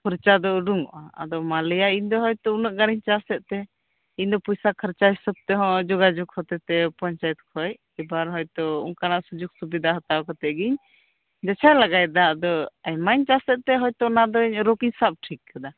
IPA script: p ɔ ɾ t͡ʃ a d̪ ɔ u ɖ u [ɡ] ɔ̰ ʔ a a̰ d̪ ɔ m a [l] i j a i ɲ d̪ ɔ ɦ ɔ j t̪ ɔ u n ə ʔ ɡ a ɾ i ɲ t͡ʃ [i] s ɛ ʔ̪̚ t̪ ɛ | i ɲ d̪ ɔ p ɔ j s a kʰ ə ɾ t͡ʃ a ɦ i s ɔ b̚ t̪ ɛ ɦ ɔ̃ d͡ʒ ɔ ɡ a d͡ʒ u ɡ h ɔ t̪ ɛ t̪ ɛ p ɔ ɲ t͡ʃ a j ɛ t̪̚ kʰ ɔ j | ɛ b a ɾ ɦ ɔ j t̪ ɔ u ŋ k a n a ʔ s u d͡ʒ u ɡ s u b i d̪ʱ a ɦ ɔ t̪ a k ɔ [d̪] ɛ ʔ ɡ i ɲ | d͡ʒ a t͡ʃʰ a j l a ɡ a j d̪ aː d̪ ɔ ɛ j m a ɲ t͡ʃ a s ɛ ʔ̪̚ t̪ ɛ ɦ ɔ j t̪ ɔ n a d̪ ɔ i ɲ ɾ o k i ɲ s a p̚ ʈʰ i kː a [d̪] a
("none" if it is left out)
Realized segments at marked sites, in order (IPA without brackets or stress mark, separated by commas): ŋ, l, a, t̪, d̪